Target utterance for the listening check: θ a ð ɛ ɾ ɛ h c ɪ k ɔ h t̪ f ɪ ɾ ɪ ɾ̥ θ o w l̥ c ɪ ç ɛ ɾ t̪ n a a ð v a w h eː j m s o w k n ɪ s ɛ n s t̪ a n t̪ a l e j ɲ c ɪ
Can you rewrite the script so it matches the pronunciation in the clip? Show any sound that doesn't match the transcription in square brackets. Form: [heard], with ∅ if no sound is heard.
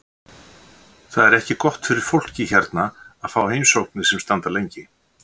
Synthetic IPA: θ a ð ɛ ɾ ɛ h c ɪ k ɔ h t̪ f ɪ ɾ ɪ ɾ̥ [f] o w l̥ c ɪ ç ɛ ɾ t̪ n a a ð [f] a w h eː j m s o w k n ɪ s ɛ [m] s t̪ a n t̪ a l e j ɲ c ɪ